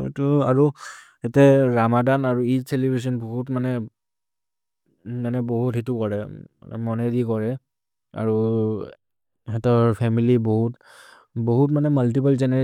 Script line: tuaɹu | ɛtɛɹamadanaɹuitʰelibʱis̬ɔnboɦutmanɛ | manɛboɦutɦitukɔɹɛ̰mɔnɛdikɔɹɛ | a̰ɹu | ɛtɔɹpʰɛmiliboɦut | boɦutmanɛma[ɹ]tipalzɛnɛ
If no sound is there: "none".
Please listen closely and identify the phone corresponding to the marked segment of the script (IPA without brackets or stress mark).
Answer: l